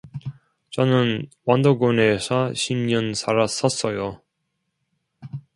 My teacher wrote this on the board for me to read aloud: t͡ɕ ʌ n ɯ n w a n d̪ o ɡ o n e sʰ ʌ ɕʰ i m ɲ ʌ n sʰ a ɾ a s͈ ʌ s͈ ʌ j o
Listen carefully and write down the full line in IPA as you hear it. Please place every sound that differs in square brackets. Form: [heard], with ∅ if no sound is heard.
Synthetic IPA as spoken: t͡ɕ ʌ n ɯ n w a n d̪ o ɡ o n e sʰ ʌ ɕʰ i m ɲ ʌ n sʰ a ɾ a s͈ ʌ s͈ ʌ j o